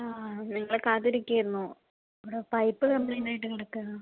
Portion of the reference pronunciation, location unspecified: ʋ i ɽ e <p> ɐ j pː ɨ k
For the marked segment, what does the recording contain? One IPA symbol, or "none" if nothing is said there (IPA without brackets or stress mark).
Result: p